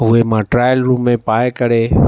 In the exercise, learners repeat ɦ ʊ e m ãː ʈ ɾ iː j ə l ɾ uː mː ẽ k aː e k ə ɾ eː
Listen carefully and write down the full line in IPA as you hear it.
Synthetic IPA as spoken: ɦ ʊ e m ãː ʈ ɾ aː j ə l ɾ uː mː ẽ p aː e k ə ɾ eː